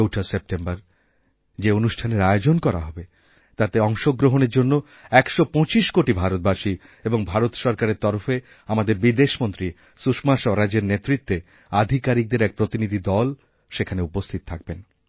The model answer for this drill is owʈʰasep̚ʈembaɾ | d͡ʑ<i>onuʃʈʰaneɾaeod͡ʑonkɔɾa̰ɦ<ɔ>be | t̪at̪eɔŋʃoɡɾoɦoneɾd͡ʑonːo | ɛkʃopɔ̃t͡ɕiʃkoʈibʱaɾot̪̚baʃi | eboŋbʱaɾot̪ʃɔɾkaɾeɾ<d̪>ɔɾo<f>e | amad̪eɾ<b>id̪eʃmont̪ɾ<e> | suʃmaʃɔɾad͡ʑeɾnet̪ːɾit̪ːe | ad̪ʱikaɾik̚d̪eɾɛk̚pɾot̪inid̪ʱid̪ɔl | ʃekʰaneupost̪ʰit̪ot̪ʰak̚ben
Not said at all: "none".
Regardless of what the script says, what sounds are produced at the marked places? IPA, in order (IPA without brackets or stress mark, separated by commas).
e, ɔ, t̪, f, b, i